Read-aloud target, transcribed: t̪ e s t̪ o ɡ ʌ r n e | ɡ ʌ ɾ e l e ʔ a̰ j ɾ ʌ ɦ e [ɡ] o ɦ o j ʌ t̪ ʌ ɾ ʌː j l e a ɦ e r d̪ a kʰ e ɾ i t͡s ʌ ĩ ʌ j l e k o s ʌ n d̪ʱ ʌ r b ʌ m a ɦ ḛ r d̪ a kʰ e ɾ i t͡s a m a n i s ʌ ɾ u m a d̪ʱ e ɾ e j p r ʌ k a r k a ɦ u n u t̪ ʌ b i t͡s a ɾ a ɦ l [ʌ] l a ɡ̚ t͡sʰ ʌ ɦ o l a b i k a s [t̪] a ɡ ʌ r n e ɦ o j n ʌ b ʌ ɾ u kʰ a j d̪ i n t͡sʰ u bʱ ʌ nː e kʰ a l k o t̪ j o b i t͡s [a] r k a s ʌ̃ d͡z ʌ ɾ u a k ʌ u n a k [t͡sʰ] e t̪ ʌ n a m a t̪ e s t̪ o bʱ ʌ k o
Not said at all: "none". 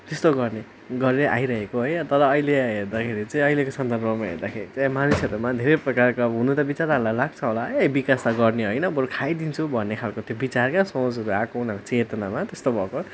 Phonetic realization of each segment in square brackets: k, a, t̪, a, t͡s

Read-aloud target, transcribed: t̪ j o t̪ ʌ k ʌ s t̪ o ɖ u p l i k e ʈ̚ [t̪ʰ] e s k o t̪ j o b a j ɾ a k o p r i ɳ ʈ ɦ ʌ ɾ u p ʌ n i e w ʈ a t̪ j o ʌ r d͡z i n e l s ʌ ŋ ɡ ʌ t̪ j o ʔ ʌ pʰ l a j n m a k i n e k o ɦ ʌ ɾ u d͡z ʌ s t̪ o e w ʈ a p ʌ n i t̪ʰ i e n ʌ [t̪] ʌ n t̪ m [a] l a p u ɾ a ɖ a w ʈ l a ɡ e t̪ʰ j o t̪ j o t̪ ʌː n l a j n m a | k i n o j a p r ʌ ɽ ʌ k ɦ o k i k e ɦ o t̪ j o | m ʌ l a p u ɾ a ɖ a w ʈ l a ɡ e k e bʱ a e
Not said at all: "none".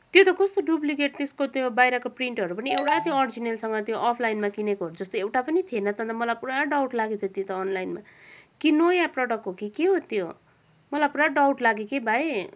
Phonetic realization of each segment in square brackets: t̪, t̪, ʌ

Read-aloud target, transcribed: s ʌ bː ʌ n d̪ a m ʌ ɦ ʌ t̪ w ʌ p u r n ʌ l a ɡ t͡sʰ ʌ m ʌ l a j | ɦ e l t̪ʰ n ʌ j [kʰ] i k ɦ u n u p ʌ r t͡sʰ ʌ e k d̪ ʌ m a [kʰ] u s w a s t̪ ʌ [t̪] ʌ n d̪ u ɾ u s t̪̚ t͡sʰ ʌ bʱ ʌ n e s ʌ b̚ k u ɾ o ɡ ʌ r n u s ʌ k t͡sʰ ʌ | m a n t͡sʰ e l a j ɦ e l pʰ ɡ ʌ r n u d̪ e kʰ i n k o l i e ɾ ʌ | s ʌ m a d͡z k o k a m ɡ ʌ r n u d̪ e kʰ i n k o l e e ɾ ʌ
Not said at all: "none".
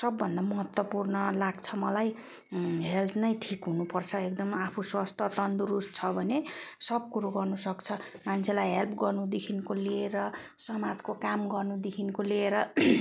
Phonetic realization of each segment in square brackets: ʈʰ, pʰ, t̪

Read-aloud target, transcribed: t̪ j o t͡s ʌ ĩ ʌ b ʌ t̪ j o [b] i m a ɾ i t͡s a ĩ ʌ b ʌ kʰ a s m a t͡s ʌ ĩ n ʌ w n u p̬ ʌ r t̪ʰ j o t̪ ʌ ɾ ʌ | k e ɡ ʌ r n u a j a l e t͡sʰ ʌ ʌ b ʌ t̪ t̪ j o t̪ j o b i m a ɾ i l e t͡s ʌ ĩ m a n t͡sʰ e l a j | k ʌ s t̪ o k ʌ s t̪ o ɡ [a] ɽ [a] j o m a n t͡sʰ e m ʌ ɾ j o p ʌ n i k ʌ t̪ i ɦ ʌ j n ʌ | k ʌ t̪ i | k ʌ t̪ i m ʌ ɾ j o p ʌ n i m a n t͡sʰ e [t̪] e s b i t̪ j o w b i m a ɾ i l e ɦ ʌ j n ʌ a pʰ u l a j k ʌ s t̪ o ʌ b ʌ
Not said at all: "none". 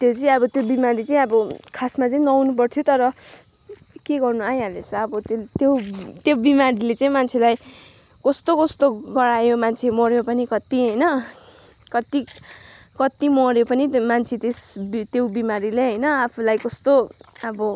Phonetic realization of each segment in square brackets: b, ʌ, a, t̪

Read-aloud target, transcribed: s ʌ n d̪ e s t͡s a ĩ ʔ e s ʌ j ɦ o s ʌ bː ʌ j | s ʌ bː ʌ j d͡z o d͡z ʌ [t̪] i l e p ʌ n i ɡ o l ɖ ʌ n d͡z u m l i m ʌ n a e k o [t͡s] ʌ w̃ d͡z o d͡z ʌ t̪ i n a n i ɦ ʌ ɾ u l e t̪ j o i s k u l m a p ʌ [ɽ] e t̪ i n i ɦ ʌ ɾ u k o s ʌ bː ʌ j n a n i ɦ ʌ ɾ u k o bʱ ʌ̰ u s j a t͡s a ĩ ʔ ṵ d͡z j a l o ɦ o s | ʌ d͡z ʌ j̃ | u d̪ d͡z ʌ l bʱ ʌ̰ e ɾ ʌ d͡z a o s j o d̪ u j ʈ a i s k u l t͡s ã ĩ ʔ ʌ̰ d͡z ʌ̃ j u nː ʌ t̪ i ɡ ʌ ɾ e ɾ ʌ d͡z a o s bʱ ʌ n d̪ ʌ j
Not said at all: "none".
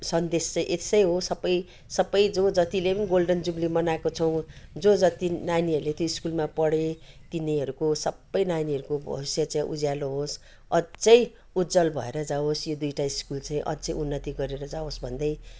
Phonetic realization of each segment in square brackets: t̪, t͡sʰ, ɽ

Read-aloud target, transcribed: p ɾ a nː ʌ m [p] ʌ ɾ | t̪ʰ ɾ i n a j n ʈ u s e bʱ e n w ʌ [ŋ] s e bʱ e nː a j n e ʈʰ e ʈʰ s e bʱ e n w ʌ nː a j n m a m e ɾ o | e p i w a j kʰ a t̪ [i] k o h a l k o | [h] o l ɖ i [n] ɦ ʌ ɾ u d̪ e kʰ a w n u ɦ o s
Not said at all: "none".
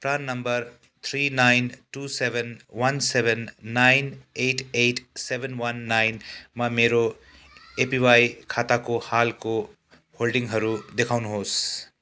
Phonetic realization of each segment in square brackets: b, n, a, h, ŋ

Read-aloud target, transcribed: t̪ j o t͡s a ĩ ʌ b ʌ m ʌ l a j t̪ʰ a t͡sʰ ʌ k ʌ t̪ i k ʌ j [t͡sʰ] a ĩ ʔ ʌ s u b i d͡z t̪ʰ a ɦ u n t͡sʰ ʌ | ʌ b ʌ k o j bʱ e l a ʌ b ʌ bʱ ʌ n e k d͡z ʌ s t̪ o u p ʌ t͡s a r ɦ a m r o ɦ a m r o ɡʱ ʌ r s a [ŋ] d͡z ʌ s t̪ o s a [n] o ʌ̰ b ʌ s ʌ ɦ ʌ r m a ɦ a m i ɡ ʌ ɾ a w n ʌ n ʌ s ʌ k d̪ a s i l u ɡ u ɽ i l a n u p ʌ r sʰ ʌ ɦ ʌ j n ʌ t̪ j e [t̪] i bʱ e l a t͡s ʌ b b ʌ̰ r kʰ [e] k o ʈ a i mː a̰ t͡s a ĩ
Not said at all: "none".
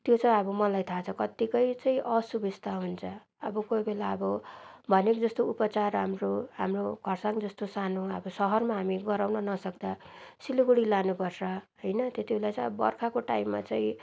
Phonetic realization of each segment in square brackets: t͡s, ŋ, n, t̪, a

